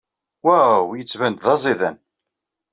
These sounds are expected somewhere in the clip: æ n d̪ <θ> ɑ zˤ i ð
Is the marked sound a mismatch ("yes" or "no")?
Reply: yes